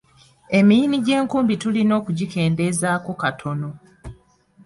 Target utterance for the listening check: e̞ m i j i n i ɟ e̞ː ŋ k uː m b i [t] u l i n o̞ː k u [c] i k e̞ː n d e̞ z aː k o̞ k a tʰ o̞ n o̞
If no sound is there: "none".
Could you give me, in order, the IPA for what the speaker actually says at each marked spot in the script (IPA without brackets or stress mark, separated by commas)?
t, ɟ